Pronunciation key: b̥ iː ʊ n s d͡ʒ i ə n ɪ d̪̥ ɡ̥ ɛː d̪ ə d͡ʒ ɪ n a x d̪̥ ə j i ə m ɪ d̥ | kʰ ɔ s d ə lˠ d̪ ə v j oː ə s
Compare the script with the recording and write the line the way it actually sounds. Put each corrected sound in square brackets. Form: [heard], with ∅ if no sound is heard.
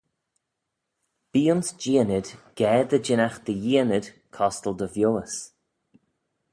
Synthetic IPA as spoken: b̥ iː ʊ n s d͡ʒ i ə n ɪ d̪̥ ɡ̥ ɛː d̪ ə d͡ʒ ɪ n a x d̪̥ ə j i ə [n] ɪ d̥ | kʰ ɔ s [t] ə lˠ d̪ ə v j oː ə s